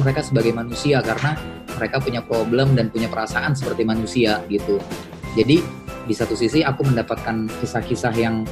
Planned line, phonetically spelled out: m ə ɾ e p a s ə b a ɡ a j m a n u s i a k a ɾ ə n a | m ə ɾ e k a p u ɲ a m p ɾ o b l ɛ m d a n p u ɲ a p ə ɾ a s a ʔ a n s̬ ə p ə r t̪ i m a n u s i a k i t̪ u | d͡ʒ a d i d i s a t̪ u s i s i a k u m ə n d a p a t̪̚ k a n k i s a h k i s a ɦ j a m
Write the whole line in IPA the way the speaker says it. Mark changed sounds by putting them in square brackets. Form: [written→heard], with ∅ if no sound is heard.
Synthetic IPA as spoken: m ə ɾ e [p→k] a s ə b a ɡ a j m a n u s i a k a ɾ ə n a | m ə ɾ e k a p u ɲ a [m→∅] p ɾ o b l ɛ m d a n p u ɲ a p ə ɾ a s a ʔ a n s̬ ə p ə r t̪ i m a n u s i a [k→ɡ] i t̪ u | d͡ʒ a d i d i s a t̪ u s i s i a k u m ə n d a p a t̪̚ k a n k i s a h k i s a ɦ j a [m→ŋ]